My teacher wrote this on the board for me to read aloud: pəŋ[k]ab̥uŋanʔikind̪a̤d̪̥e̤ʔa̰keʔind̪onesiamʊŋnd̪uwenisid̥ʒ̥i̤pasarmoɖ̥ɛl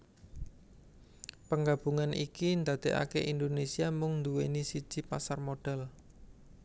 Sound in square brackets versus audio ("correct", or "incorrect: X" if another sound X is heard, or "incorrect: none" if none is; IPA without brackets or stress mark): incorrect: ɡ